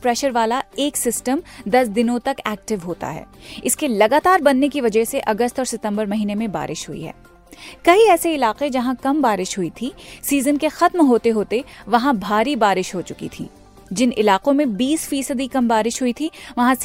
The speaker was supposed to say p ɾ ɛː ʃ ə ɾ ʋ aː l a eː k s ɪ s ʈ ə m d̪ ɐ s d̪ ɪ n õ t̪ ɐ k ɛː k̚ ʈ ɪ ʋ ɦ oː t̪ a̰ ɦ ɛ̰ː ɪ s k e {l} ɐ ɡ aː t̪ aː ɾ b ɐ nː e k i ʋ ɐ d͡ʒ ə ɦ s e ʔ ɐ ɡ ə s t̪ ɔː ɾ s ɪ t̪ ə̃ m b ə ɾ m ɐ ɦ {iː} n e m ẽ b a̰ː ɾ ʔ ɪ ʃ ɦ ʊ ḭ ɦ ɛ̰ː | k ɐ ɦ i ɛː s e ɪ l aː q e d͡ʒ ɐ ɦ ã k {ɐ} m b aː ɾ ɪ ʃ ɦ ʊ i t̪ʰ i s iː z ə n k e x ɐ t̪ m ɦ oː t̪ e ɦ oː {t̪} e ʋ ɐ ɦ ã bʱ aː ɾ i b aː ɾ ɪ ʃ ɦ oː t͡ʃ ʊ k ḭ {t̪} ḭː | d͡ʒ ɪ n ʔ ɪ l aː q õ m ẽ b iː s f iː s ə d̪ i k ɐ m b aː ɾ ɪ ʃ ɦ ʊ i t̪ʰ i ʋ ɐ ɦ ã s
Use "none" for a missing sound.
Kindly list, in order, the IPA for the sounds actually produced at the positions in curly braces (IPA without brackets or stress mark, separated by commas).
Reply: l, iː, ɐ, t̪, t̪ʰ